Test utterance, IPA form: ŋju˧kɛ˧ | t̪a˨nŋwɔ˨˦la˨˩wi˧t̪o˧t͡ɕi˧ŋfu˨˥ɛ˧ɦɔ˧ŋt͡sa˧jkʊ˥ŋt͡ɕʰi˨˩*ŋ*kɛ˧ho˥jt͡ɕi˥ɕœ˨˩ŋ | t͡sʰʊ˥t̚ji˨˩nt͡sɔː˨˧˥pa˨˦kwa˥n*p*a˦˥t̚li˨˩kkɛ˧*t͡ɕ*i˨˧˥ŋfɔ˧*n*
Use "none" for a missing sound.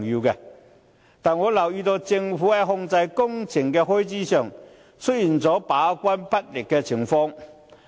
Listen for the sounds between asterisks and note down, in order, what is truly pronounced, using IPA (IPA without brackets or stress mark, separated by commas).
ŋ, p, t͡ɕʰ, ŋ